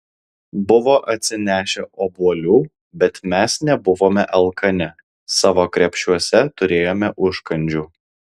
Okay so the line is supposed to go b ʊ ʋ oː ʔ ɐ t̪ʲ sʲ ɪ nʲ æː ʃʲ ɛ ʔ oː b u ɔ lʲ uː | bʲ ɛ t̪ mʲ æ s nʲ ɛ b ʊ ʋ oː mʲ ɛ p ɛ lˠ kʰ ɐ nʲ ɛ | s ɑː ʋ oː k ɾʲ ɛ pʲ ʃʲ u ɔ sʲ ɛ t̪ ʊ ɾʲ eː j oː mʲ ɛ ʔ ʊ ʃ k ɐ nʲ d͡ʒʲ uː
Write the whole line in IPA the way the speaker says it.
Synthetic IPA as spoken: b ʊ ʋ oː ʔ ɐ t̪ʲ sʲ ɪ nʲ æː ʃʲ ɛ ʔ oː b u ɔ lʲ uː | bʲ ɛ t̪ mʲ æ s nʲ ɛ b ʊ ʋ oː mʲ ɛ ʔ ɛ lˠ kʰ ɐ nʲ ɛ | s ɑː ʋ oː k ɾʲ ɛ pʲ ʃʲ u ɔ sʲ ɛ t̪ ʊ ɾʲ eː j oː mʲ ɛ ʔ ʊ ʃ k ɐ nʲ d͡ʒʲ uː